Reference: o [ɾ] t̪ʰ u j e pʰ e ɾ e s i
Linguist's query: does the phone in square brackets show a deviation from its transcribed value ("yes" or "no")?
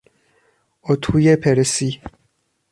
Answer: yes